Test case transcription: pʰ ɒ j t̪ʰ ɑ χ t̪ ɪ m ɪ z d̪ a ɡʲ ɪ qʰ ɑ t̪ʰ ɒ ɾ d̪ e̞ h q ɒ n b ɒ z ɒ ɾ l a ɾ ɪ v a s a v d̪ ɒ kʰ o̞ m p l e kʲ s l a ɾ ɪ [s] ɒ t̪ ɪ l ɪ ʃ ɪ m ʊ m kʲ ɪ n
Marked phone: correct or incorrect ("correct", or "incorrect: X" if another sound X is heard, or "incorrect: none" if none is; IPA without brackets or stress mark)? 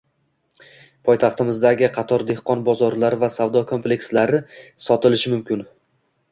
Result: correct